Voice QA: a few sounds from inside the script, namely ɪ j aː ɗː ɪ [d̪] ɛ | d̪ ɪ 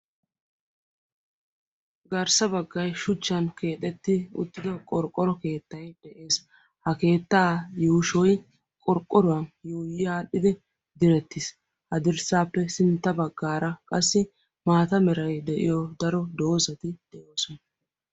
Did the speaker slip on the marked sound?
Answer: no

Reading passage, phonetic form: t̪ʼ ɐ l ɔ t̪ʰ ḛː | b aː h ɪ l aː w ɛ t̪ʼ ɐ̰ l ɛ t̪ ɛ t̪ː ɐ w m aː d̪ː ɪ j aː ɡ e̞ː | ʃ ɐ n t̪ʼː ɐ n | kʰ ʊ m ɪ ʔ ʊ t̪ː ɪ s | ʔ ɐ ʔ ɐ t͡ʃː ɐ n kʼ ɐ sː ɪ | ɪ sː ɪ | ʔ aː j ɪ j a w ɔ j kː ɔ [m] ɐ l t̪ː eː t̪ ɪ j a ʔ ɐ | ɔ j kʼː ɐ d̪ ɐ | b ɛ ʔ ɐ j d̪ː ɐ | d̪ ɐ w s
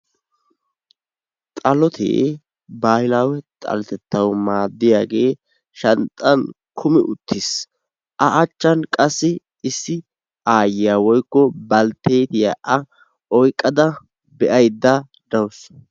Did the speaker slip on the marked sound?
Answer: yes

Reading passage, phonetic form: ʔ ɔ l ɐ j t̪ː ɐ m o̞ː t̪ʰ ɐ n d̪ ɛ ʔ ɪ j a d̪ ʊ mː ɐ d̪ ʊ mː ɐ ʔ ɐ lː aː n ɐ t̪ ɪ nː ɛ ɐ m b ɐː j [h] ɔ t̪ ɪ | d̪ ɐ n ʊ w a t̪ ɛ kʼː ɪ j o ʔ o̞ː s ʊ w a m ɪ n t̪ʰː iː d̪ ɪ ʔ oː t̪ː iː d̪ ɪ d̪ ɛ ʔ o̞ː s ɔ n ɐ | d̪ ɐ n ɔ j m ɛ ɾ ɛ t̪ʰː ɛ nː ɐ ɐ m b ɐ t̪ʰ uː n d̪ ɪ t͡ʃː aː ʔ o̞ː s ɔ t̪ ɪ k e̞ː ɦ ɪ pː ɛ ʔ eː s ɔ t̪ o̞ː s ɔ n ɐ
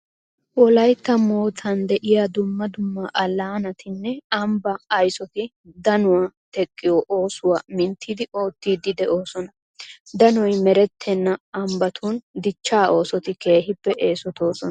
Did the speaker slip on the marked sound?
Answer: yes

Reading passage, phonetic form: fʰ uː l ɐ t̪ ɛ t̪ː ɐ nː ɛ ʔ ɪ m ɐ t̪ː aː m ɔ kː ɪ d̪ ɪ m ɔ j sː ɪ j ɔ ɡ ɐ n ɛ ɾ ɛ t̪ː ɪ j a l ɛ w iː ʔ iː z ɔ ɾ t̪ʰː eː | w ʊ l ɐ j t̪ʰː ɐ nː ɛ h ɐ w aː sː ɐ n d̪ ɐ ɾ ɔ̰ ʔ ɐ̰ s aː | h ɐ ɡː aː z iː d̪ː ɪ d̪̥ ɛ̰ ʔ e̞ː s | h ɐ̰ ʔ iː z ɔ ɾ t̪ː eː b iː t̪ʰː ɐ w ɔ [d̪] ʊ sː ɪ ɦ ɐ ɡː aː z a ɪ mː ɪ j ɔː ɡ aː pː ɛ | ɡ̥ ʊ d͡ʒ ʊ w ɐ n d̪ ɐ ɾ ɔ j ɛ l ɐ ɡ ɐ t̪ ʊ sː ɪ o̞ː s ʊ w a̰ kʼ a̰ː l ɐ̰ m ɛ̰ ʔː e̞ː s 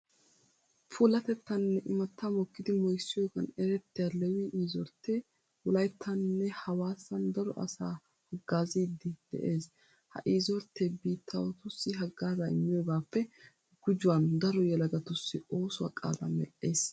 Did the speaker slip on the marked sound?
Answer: yes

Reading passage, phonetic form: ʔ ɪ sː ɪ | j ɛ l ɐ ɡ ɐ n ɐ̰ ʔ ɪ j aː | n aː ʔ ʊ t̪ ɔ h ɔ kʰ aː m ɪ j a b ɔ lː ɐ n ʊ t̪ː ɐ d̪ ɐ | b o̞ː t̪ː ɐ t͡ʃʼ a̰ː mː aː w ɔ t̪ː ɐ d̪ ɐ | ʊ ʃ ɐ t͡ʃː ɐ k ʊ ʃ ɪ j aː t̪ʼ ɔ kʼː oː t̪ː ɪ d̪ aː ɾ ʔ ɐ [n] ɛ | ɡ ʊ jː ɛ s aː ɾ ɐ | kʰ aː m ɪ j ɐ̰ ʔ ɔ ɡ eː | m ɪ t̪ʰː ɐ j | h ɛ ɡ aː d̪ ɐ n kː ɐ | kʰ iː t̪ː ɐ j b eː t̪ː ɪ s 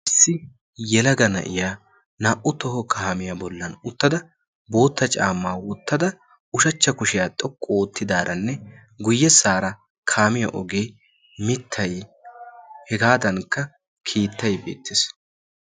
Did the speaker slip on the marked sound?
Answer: yes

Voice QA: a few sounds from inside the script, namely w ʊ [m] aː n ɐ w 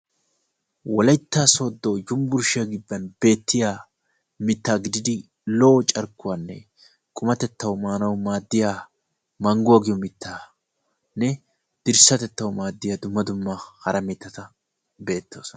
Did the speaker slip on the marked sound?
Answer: no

